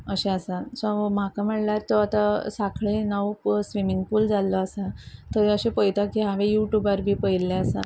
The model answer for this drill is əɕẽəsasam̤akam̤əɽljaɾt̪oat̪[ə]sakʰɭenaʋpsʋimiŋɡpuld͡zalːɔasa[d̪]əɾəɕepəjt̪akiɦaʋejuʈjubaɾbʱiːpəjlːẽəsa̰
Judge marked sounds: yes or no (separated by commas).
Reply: no, no